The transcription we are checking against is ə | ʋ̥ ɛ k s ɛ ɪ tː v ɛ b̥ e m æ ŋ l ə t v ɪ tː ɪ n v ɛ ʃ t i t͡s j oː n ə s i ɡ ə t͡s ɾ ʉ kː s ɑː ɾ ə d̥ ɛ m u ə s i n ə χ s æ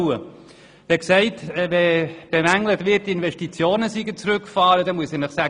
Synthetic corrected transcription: ə | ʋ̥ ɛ k s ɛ ɪ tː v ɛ b̥ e m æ ŋ l ə t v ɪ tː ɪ n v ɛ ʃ t i t͡s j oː n ə s i ɡ ə t͡s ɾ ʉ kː f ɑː ɾ ə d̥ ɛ m u ə s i n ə χ s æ

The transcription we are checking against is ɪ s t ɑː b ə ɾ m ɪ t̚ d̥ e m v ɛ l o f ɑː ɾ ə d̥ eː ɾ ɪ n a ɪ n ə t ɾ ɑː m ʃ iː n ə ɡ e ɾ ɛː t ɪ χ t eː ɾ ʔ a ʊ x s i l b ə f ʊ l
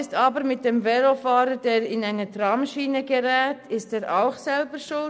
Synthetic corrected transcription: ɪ s t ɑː b ə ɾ m ɪ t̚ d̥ e m v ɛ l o f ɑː ɾ ə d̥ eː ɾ ɪ n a ɪ n ə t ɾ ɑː m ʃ iː n ə ɡ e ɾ ɛː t ɪ s t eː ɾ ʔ a ʊ x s ɛ l b ə ʃ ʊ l

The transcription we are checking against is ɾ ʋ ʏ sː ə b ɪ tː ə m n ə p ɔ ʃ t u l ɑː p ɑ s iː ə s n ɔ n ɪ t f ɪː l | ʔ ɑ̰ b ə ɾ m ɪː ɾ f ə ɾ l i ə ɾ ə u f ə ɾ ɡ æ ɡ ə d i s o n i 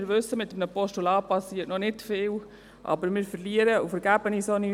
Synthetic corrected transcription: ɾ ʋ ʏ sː ə m ɪ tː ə m n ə p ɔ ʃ t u l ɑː p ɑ s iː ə t n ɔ n ɪ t f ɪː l | ʔ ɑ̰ b ə ɾ m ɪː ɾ f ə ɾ l i ə ɾ ə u f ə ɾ ɡ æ b ə n i s o n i

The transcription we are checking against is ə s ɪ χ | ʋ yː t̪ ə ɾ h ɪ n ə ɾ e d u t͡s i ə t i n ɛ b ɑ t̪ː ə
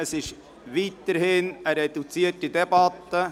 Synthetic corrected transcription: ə s ɪ ʃ | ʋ iː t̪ ə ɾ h ɪ n ə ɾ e d u t͡s i ə t i d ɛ b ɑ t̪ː ə

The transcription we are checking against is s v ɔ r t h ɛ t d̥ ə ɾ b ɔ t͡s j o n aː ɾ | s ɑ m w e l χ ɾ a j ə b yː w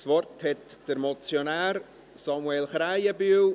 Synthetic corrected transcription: s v ɔ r t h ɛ t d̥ ə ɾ m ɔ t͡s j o n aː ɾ | s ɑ m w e l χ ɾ a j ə b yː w

